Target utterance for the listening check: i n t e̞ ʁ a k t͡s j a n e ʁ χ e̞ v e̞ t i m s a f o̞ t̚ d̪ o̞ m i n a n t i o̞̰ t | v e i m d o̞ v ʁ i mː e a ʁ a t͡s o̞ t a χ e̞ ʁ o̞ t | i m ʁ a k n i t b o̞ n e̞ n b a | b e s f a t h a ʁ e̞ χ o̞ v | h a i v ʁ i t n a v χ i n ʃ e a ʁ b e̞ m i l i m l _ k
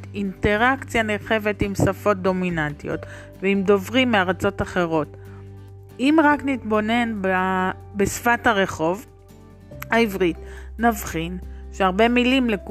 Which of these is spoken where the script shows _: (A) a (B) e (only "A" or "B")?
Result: B